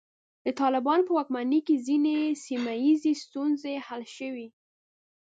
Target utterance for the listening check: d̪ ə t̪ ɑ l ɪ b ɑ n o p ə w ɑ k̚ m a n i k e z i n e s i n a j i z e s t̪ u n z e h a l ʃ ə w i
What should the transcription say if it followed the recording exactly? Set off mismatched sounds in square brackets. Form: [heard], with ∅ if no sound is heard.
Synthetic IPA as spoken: d̪ ə t̪ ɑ l ɪ b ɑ n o p ə w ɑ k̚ m a n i k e z i n e s i [m] a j i z e s t̪ u n z e h a l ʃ ə w i